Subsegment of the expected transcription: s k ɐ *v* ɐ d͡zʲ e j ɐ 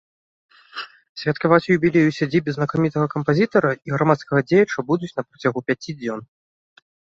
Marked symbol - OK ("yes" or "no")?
no